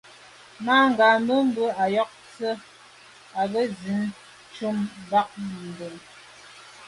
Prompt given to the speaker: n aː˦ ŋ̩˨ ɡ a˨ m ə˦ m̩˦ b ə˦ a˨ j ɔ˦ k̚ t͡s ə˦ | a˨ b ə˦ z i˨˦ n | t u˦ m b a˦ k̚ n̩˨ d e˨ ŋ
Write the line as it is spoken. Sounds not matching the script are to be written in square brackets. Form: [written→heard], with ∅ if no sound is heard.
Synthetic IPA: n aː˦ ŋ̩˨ ɡ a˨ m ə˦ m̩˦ b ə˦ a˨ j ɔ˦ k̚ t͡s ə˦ | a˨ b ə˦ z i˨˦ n | [t→t͡ʃ] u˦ m b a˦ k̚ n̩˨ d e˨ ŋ